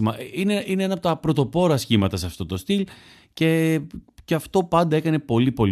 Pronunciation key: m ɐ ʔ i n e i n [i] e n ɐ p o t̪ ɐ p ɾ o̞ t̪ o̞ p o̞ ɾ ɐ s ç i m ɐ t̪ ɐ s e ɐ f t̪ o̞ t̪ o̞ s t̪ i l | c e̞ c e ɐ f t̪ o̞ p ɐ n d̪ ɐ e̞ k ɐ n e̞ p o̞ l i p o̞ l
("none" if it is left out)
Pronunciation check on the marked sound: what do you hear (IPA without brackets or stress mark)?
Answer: e